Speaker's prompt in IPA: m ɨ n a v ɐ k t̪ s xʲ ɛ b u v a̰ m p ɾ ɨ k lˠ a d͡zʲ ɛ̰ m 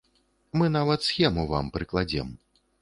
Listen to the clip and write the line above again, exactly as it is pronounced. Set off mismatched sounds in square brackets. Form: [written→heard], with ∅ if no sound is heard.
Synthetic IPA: m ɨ n a v ɐ [k→∅] t̪ s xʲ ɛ [b→m] u v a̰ m p ɾ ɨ k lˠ a d͡zʲ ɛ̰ m